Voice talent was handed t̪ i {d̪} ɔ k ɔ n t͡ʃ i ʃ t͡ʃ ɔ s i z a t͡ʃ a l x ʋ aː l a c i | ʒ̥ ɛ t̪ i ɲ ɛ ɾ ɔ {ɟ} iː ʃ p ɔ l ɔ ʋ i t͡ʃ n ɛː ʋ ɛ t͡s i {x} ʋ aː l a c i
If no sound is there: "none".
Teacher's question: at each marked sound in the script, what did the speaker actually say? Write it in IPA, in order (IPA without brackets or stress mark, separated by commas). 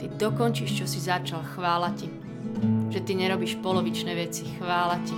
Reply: d̪, b, x